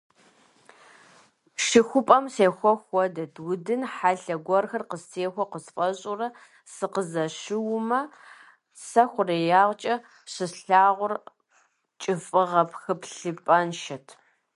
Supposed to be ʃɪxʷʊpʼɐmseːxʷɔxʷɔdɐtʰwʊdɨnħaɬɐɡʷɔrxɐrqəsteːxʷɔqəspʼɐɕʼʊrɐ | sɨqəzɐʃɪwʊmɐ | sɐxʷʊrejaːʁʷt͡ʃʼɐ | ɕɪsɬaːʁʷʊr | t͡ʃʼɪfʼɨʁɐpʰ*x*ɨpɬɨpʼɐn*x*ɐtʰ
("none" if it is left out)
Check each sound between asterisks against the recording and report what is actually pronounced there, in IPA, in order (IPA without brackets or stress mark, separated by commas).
x, ʃ